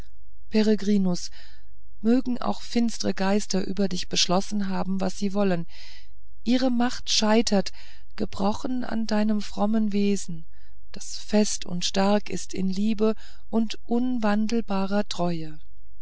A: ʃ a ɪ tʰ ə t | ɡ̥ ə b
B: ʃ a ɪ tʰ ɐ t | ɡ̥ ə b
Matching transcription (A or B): B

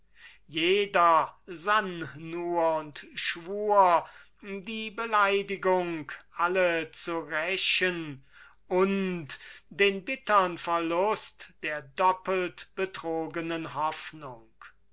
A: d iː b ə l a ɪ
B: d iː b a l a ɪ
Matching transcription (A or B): A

